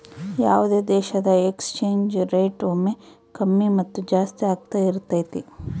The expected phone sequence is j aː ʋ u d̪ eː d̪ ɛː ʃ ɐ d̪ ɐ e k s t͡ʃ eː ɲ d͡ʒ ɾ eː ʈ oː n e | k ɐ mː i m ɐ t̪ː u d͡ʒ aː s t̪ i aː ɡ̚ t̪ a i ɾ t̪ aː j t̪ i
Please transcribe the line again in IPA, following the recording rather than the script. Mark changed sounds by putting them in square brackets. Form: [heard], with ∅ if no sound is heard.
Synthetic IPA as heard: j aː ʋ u d̪ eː d̪ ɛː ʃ ɐ d̪ ɐ e k s t͡ʃ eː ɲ d͡ʒ ɾ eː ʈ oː [m] e | k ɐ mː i m ɐ t̪ː u d͡ʒ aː s t̪ i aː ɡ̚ t̪ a i ɾ t̪ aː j t̪ i